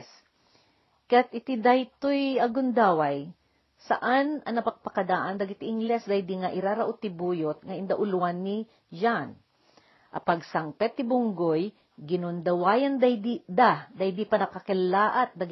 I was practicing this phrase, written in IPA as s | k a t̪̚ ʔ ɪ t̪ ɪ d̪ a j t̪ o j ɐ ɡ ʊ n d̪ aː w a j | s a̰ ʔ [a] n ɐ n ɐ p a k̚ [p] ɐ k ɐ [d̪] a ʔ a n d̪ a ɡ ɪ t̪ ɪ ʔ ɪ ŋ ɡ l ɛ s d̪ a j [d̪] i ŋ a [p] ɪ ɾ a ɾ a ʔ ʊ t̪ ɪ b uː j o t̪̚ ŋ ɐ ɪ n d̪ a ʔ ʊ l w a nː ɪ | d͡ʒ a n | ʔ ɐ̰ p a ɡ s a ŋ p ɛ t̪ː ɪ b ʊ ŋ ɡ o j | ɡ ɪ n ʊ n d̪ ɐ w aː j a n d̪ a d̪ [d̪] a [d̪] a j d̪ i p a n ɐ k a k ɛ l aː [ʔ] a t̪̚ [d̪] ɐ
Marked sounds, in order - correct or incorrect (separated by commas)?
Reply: correct, correct, correct, correct, incorrect, correct, correct, correct, correct